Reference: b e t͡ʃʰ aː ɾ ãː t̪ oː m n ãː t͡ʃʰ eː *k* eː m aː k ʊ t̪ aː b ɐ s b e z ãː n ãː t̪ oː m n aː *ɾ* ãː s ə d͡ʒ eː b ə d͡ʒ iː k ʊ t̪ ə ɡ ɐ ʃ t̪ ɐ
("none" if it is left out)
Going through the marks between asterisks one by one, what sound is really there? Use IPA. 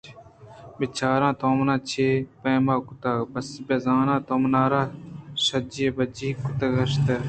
p, ɾ

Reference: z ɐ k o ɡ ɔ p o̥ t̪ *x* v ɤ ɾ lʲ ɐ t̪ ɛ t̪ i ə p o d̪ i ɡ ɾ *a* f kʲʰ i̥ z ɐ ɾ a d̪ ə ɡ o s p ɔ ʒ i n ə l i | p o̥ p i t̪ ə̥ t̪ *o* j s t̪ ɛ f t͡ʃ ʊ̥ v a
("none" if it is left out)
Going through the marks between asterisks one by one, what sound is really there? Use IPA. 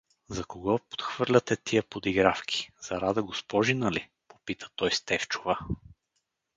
x, a, ɔ

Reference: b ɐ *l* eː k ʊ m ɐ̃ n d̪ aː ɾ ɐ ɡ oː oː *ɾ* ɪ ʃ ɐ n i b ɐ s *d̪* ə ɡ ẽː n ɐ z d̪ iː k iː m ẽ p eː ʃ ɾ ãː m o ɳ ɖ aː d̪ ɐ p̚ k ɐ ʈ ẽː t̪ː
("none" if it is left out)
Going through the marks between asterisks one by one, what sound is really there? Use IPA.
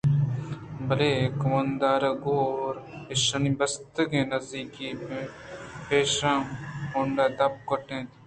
l, ɾ, t̪

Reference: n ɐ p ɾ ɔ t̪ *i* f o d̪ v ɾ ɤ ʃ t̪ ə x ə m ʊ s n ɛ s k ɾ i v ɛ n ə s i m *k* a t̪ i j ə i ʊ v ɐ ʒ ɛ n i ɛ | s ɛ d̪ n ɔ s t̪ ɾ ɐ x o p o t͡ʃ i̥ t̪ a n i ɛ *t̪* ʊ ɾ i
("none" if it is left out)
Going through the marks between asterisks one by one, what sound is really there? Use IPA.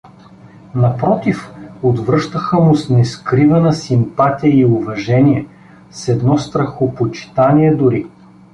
i, p, d̪

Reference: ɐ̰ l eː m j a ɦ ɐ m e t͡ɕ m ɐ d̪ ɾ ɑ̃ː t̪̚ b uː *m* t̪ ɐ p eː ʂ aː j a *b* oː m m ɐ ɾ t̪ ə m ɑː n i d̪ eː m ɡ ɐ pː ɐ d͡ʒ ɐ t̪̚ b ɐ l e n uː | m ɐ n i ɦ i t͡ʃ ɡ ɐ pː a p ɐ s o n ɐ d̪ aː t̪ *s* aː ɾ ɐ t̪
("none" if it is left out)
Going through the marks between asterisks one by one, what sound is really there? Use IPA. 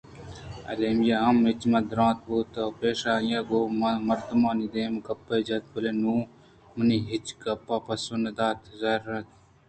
none, ɡ, z

